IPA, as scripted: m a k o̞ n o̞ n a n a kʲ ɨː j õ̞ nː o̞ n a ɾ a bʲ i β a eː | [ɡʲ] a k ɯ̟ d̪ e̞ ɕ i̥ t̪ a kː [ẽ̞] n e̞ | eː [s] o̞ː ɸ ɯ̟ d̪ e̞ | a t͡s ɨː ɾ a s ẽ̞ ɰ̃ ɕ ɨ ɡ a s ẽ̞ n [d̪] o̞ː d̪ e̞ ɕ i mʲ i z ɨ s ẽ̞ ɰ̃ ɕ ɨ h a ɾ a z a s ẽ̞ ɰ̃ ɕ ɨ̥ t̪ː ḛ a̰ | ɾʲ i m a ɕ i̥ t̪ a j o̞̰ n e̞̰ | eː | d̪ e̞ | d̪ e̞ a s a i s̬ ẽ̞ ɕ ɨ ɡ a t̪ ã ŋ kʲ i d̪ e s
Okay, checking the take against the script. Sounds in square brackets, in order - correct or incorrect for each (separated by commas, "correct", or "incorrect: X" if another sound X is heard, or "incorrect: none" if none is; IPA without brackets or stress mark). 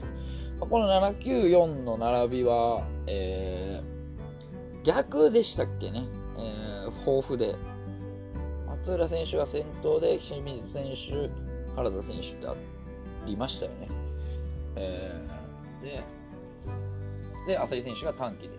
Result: correct, incorrect: e̞, incorrect: h, incorrect: t̪